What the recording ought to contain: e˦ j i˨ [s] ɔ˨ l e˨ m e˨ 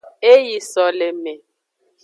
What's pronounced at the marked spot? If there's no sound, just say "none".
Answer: s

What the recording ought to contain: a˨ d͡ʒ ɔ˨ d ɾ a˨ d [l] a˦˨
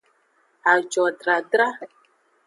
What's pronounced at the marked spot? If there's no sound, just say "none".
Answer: ɾ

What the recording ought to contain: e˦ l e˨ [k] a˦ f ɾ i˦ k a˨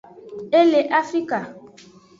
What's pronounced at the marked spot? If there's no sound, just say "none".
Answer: ʔ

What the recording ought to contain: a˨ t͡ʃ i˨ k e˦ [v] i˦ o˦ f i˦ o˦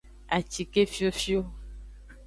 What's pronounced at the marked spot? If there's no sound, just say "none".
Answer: f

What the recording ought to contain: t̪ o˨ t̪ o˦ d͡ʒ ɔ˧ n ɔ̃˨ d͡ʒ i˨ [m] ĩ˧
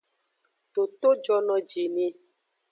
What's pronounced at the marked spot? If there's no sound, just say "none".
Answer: n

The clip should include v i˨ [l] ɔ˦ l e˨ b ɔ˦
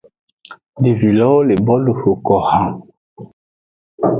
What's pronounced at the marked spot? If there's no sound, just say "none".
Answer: l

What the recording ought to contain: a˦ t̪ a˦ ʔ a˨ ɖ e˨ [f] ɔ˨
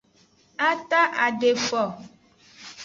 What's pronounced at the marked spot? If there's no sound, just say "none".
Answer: f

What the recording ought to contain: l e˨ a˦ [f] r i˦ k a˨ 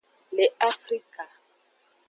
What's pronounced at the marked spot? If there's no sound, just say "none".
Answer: f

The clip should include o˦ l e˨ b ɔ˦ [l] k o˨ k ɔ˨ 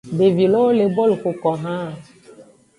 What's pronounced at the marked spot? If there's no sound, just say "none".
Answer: l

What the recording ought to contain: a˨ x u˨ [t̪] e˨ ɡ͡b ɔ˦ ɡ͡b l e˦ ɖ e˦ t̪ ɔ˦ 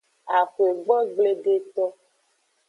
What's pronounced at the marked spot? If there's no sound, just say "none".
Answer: none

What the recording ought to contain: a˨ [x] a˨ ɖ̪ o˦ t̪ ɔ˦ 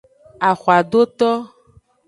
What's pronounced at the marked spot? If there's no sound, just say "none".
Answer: x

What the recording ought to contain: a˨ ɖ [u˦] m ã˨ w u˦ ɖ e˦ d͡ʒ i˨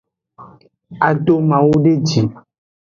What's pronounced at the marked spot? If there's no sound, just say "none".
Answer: o˦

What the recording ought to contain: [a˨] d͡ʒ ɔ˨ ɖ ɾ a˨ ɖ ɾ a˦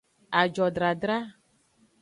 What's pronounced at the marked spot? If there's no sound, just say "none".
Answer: a˨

